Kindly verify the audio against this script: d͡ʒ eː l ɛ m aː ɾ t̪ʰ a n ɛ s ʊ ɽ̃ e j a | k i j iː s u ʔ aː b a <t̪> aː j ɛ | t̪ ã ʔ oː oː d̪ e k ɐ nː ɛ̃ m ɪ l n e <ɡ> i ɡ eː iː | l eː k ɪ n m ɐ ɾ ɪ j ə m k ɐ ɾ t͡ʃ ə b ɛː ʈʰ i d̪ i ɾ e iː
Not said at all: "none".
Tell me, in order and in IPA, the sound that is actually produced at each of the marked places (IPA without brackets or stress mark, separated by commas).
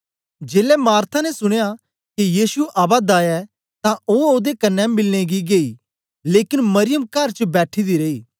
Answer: d̪, ɡ